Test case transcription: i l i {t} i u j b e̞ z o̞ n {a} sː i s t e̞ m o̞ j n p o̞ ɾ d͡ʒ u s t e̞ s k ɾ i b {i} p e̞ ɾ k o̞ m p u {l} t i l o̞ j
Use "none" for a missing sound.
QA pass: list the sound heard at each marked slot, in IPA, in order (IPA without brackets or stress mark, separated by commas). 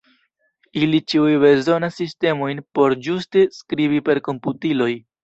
t͡ʃ, a, i, none